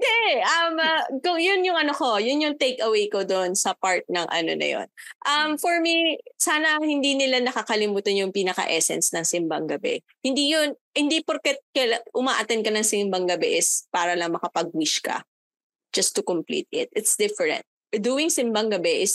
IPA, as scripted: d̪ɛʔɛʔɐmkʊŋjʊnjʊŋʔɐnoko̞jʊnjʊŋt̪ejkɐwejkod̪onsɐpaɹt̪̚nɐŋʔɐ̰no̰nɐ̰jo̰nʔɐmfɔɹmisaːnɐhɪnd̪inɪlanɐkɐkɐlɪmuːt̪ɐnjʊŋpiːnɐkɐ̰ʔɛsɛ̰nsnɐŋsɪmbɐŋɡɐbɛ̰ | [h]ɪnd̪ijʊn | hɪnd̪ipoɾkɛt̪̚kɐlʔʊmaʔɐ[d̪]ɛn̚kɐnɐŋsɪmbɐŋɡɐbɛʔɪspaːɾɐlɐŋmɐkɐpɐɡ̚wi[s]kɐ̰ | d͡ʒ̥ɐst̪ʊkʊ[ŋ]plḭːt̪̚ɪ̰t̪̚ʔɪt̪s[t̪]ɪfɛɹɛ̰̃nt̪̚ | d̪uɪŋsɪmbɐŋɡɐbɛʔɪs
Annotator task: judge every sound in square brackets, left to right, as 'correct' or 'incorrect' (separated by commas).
correct, incorrect, incorrect, incorrect, incorrect